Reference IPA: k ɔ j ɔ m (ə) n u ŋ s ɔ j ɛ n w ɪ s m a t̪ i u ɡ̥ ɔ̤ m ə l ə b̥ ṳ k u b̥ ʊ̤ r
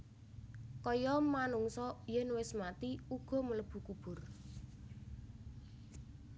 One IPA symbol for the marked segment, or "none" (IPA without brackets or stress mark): a